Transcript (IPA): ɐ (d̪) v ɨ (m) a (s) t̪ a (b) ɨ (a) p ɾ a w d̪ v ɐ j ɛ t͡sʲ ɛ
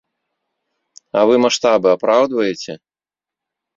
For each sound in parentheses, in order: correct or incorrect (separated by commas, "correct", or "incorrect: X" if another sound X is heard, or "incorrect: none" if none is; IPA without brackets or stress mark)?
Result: incorrect: none, correct, incorrect: ʂ, correct, correct